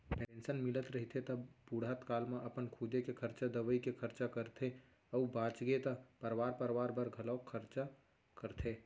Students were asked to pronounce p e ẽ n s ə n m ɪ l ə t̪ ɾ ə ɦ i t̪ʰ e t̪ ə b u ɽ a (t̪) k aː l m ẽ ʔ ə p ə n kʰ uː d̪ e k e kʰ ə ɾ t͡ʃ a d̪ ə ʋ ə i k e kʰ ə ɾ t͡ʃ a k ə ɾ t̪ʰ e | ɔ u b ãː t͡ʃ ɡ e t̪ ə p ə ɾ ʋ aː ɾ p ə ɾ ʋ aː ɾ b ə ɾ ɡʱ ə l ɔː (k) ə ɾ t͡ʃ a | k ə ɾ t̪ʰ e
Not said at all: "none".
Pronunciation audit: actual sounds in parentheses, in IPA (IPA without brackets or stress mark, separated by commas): t̪, kʰ